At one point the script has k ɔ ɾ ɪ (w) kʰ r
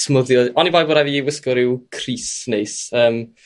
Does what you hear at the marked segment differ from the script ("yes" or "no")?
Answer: no